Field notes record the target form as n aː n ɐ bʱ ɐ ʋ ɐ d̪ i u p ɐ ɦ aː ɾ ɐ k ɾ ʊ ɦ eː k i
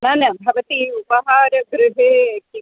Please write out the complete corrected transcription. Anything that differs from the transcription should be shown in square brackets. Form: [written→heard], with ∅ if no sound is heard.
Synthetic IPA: n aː n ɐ bʱ ɐ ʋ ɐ [d̪→t̪] i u p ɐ ɦ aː ɾ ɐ [k→ɡ] ɾ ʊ ɦ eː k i